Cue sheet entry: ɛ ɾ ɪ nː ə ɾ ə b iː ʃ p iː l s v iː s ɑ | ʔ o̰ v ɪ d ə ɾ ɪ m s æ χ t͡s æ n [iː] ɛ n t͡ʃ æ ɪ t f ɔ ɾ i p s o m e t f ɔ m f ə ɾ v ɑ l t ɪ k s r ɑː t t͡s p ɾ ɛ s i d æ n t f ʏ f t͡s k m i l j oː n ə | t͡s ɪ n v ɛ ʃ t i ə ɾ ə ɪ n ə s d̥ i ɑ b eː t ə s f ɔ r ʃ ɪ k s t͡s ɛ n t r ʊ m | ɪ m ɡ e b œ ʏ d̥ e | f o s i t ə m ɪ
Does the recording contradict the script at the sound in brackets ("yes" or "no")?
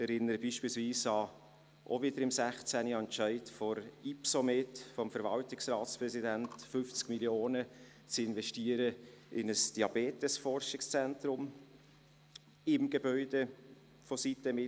yes